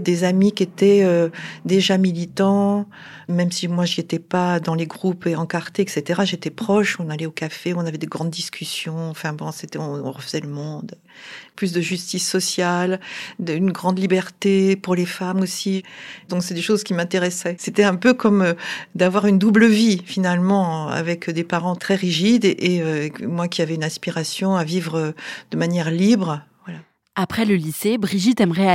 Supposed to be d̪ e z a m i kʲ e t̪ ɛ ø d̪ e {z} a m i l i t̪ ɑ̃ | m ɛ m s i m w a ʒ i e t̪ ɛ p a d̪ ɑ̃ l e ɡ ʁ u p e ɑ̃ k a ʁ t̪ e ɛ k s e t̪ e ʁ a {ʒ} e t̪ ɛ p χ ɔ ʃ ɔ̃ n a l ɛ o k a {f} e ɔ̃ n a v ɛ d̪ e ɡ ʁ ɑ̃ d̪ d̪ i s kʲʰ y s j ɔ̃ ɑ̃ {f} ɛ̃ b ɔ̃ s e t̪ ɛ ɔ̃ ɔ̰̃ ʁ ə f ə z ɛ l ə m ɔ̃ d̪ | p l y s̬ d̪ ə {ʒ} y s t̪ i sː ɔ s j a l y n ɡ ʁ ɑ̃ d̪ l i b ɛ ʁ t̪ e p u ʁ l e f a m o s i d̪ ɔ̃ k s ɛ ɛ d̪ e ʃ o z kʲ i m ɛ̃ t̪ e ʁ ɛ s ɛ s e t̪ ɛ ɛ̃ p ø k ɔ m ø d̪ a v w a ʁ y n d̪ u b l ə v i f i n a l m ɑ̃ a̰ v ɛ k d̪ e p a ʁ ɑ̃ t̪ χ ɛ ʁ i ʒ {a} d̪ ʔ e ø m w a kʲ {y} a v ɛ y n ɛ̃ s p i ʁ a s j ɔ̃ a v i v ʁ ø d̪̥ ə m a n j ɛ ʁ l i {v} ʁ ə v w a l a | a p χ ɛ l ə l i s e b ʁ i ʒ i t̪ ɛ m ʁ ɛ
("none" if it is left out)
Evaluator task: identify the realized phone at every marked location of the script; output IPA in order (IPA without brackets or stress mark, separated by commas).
ʒ, ʒ, f, f, ʒ, i, i, b